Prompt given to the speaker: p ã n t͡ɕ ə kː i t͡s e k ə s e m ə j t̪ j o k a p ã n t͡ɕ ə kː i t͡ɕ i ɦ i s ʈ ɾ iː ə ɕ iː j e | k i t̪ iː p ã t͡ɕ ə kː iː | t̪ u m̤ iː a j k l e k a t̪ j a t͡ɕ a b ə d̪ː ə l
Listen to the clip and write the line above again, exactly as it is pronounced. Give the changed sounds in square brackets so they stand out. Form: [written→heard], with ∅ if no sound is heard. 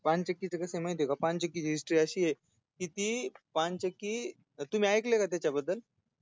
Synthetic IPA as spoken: p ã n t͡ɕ ə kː i t͡s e k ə s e m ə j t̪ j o k a p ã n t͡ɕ ə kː i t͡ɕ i ɦ i s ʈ ɾ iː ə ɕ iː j e | k i t̪ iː p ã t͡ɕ ə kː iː | t̪ u m̤ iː a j k l e k a t̪ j a t͡ɕ a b ə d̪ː ə l